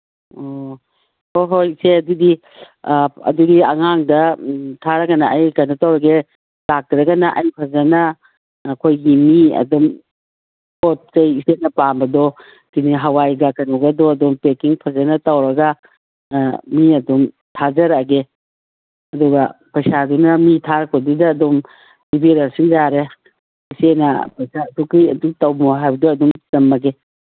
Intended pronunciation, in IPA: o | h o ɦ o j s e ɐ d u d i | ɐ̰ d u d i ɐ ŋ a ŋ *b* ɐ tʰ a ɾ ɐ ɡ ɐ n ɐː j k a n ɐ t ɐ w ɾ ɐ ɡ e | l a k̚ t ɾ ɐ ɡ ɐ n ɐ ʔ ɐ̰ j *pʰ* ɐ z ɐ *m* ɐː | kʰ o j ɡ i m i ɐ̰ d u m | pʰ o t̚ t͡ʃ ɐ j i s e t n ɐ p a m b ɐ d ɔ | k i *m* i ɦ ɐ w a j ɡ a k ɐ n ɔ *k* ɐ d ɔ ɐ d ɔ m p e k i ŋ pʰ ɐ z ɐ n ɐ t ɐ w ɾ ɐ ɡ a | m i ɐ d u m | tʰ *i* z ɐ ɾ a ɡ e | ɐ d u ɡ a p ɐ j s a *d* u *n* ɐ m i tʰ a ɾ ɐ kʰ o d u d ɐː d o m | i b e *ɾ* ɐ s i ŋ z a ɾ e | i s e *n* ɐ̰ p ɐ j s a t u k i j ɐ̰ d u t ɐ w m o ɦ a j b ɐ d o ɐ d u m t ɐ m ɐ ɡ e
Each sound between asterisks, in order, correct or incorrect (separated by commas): incorrect, correct, incorrect, incorrect, incorrect, incorrect, correct, correct, correct, correct